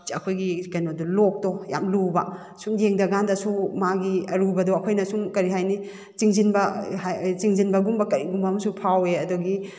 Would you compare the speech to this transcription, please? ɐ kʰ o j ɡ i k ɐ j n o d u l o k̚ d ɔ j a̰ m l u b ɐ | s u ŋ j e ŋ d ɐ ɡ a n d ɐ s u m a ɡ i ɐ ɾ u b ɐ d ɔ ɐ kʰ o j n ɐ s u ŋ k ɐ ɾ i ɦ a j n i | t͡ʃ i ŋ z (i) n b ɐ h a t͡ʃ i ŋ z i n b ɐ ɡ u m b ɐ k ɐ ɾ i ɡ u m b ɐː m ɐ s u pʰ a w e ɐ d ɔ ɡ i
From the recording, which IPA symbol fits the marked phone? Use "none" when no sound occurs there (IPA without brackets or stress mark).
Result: i